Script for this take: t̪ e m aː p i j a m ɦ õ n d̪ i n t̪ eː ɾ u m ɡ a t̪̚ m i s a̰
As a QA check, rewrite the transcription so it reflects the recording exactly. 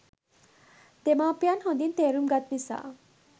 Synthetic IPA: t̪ e m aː p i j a n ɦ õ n d̪ i n t̪ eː ɾ u m ɡ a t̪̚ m i s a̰